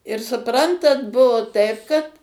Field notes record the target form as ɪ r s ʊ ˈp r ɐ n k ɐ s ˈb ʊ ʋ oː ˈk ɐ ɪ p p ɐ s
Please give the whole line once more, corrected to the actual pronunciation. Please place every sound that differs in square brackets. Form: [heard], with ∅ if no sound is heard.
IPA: ɪ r s ʊ ˈp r ɐ n [t] ɐ [t] ˈb ʊ ʋ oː [ˈt] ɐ ɪ p [k] ɐ [t]

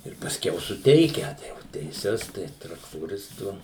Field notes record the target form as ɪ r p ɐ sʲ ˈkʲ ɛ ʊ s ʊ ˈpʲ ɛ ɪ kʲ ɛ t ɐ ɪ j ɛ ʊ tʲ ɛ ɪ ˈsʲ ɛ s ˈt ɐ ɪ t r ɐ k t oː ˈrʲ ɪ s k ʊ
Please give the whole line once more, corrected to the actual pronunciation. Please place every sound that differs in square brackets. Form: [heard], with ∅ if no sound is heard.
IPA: ɪ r p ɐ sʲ ˈkʲ ɛ ʊ s ʊ [ˈtʲ] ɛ ɪ kʲ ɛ t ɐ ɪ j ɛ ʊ tʲ ɛ ɪ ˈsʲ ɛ s ˈt ɐ ɪ t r ɐ k t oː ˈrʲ ɪ s [t] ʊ

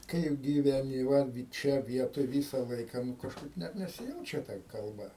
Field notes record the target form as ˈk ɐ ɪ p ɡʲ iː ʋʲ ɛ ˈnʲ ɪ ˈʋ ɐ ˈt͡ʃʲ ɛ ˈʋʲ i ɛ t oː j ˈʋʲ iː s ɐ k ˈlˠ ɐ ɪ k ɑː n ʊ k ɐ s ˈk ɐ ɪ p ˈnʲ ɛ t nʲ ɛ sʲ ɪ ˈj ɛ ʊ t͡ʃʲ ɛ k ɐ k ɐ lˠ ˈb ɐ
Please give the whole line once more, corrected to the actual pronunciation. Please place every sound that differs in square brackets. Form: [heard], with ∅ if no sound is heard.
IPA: ˈk ɐ ɪ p ɡʲ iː ʋʲ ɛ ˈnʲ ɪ ˈʋ ɐ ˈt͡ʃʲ ɛ ˈʋʲ i ɛ t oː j ˈʋʲ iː s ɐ [∅] ˈlˠ ɐ ɪ k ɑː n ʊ k ɐ [ʃ] ˈk ɐ ɪ p ˈnʲ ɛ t nʲ ɛ sʲ ɪ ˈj ɛ ʊ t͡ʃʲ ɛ [t] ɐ k ɐ lˠ ˈb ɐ

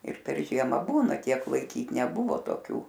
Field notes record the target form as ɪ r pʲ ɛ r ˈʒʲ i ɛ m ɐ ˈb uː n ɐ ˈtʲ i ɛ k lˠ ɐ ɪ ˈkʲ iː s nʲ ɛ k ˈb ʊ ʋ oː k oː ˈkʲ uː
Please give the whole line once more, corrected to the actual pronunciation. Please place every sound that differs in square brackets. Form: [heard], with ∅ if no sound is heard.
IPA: ɪ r pʲ ɛ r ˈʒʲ i ɛ m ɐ ˈb uː n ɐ ˈtʲ i ɛ k lˠ ɐ ɪ ˈkʲ iː [t] nʲ ɛ [∅] ˈb ʊ ʋ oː [t] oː ˈkʲ uː

